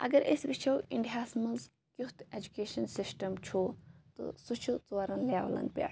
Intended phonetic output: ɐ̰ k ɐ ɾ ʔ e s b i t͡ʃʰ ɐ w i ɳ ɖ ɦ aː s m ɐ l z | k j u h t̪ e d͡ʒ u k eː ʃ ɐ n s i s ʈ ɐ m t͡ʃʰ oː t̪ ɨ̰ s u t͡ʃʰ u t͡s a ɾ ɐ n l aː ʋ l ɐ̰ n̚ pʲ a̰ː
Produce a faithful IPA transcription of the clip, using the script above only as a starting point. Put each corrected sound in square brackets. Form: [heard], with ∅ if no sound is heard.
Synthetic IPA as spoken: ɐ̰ [ɡ] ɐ ɾ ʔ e s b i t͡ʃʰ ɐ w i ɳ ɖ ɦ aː s m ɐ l z | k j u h t̪ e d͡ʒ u k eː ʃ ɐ n s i s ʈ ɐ m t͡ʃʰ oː t̪ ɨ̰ s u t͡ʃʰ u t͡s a ɾ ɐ n l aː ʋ l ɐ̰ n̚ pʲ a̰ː